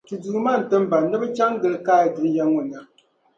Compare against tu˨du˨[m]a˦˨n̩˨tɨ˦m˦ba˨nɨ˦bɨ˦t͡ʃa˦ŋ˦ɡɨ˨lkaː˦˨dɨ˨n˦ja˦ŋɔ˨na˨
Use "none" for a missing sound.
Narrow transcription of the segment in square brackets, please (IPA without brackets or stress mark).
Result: m